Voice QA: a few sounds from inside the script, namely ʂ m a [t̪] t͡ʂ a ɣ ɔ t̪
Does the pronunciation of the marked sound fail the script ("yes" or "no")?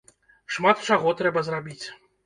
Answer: no